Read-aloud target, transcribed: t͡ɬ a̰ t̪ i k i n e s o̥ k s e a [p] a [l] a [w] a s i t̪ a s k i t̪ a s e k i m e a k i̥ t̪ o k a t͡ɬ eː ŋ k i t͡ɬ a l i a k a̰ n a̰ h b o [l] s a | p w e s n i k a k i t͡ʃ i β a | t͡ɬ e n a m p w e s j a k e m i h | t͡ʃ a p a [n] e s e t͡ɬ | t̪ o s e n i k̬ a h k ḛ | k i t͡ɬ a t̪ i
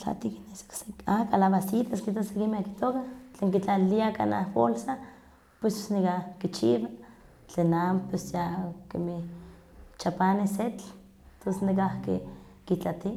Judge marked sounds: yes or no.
no, yes, no, yes, yes

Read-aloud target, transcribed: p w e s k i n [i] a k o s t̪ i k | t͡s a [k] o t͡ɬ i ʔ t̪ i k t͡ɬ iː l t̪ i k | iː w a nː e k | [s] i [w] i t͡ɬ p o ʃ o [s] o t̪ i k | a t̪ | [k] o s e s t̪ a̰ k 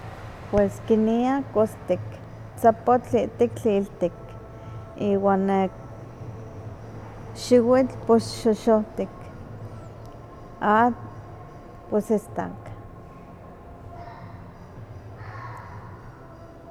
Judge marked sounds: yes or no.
yes, no, no, yes, no, no

